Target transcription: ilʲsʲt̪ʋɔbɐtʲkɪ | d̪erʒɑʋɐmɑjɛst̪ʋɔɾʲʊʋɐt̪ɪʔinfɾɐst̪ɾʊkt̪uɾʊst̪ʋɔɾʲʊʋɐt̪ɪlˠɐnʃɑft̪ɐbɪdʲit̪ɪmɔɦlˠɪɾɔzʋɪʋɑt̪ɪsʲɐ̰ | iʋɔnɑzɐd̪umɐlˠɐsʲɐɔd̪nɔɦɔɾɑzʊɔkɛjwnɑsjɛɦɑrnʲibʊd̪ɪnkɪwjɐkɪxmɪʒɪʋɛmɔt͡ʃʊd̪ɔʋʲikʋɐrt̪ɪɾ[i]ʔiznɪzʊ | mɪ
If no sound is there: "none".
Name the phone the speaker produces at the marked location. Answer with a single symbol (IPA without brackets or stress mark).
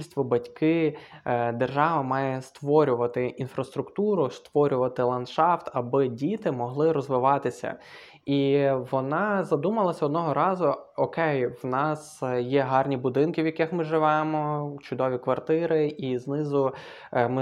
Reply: ɪ